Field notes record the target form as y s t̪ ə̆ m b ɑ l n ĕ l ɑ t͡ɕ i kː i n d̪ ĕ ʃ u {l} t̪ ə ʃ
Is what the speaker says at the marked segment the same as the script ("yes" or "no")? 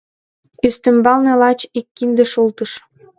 yes